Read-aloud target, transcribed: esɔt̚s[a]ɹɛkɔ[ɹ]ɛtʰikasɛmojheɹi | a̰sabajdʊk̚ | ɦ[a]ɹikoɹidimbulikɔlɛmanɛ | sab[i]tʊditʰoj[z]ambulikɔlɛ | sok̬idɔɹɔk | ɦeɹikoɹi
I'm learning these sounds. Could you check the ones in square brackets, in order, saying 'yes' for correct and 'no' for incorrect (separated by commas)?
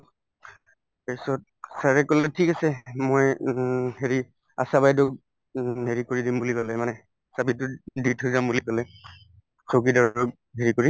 yes, no, no, yes, yes